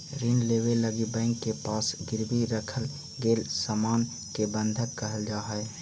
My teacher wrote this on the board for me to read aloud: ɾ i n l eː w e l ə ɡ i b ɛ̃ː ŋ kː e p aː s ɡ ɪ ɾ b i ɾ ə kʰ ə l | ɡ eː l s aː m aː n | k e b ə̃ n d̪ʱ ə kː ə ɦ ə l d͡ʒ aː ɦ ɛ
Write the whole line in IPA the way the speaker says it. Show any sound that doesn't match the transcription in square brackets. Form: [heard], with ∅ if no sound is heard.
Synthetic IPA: ɾ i n l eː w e l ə ɡ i b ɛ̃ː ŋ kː e p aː s ɡ ɪ ɾ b i ɾ ə kʰ ə l | ɡ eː l s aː m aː n | k e b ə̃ n d̪ʱ ə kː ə ɦ ə l d͡ʒ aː ɦ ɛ